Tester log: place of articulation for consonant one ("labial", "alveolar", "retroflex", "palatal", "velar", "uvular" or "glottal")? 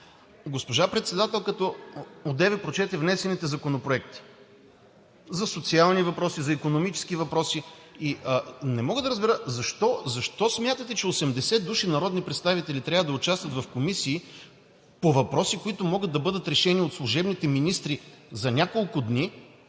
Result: velar